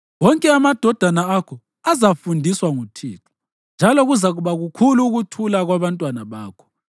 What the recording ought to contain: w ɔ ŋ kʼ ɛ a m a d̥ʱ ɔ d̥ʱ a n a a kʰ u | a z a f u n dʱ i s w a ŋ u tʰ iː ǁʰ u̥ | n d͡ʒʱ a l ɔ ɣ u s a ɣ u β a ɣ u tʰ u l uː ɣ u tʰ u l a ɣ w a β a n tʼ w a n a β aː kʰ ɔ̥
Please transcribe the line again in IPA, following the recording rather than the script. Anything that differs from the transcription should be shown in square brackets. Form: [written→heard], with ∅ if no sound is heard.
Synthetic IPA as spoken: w ɔ ŋ kʼ ɛ a m a d̥ʱ ɔ d̥ʱ a n a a kʰ [u→ɔ] | a z a f u n dʱ i s w a ŋ u tʰ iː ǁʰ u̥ | n d͡ʒʱ a l ɔ ɣ u [s→z] a ɣ u β a ɣ u [tʰ→kʰ] u l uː ɣ u tʰ u l a ɣ w a β a n tʼ w a n a β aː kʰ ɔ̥

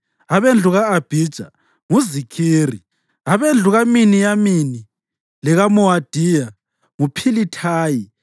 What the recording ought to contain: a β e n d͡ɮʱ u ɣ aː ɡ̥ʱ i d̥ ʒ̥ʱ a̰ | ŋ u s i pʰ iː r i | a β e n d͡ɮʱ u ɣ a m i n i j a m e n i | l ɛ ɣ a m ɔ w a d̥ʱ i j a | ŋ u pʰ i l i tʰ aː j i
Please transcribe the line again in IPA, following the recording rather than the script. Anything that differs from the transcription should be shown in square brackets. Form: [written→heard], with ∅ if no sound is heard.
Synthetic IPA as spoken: a β e n d͡ɮʱ u ɣ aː [ɡ̥ʱ→b̥ʱ] i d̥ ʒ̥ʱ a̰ | ŋ u [s→z] i [pʰ→kʰ] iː r i | a β e n d͡ɮʱ u ɣ a m i n i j a m [e→i] n i | l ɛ ɣ a m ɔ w a d̥ʱ i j a | ŋ u pʰ i l i tʰ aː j i

